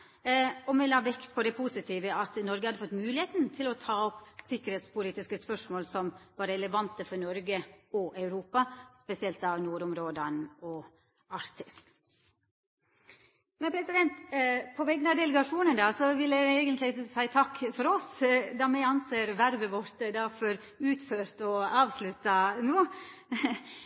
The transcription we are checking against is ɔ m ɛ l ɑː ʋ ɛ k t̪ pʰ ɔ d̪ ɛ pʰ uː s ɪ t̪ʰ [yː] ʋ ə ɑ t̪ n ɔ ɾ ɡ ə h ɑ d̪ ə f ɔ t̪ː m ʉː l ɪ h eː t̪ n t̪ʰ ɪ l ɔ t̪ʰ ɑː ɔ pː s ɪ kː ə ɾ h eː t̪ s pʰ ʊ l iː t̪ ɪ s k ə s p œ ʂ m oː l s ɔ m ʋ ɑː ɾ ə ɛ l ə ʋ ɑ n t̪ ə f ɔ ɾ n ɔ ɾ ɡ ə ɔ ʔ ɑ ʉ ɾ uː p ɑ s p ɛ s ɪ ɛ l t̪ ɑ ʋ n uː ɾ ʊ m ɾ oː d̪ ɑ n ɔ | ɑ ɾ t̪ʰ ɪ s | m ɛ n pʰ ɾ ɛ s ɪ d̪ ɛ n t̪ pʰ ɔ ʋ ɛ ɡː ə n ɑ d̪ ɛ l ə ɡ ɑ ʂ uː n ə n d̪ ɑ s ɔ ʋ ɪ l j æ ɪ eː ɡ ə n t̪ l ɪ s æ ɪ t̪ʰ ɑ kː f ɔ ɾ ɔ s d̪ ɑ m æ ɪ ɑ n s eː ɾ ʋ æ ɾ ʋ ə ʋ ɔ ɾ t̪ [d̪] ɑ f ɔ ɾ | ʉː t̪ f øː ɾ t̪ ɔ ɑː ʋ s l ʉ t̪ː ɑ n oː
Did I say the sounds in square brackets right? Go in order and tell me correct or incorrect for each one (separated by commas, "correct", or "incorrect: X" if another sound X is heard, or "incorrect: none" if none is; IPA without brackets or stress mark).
incorrect: iː, correct